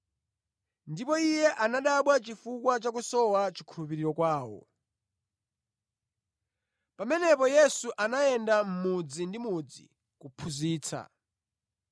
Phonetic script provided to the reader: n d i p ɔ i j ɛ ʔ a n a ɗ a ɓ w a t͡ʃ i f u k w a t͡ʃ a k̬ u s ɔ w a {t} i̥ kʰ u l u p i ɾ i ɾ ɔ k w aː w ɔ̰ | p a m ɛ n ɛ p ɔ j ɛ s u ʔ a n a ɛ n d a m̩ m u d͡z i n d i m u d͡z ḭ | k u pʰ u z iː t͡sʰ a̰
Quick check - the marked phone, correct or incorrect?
incorrect: t͡ʃ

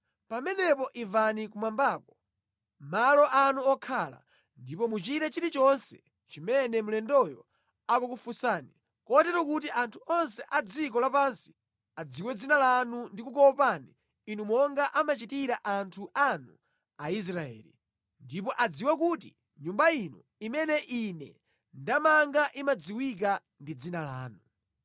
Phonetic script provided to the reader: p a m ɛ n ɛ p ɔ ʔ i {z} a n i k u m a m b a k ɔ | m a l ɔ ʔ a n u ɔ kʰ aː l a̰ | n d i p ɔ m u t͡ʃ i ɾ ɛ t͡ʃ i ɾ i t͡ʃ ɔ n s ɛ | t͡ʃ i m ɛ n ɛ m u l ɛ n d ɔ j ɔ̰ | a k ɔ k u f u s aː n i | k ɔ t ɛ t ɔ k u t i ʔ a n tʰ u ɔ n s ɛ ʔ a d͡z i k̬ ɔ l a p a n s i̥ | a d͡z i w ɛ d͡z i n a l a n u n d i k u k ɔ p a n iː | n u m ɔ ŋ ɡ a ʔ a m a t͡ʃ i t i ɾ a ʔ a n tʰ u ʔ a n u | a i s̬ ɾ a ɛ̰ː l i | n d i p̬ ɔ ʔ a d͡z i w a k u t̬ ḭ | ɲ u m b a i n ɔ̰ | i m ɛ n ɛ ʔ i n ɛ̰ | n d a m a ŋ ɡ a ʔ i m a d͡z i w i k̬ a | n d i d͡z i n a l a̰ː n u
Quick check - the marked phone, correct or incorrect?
incorrect: v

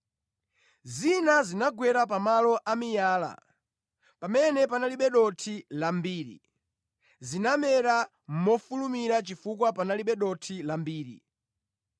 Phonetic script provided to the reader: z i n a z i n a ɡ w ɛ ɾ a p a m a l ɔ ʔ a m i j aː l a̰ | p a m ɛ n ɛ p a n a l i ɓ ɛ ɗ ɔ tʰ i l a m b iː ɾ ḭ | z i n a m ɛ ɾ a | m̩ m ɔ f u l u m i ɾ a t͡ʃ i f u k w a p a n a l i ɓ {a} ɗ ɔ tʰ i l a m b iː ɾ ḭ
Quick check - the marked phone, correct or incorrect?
incorrect: ɛ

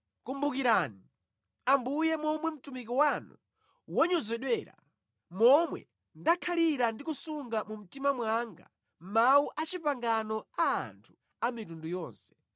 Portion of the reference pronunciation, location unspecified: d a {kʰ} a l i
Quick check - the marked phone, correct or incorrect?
correct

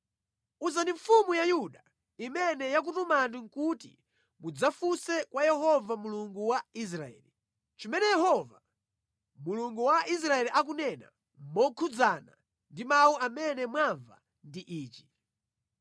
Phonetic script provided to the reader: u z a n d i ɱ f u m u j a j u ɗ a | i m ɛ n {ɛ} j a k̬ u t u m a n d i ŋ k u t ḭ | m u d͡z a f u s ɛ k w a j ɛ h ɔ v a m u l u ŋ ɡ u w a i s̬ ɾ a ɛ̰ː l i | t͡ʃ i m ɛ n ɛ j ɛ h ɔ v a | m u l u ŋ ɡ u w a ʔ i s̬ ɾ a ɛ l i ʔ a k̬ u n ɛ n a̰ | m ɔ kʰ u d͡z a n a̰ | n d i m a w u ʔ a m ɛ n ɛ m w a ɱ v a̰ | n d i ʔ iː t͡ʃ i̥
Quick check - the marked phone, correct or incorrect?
correct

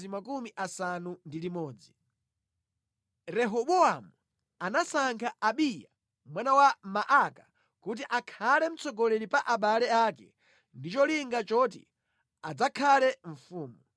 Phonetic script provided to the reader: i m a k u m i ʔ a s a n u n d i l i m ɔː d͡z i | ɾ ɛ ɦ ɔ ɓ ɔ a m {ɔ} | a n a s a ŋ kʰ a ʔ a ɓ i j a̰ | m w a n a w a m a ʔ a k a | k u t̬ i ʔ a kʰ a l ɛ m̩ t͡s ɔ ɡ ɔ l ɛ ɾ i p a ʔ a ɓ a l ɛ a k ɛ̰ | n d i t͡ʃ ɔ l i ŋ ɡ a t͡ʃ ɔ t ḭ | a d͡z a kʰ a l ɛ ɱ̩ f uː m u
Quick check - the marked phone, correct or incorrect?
incorrect: u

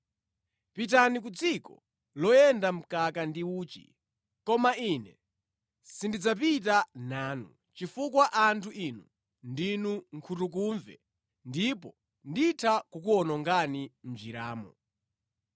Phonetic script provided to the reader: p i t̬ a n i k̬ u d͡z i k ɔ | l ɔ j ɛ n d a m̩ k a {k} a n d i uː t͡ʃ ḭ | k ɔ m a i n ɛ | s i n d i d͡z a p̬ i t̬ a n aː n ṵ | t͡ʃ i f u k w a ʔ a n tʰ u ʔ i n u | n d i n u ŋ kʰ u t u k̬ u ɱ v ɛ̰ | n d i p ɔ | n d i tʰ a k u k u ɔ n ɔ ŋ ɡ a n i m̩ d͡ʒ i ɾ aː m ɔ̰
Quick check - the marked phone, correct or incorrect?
correct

